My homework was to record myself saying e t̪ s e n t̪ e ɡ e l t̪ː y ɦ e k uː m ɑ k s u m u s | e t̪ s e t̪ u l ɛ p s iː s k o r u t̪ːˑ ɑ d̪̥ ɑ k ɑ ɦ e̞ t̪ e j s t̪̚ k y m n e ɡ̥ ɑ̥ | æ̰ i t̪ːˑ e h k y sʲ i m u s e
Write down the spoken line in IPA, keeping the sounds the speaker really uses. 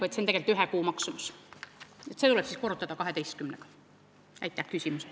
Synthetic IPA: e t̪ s e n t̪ e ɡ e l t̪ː y ɦ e k uː m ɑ k s u m u s | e t̪ s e t̪ u l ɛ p s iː s k o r u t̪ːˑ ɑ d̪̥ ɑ k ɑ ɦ e̞ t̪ e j s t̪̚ k y m n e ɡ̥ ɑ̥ | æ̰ j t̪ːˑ æ h k y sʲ i m u s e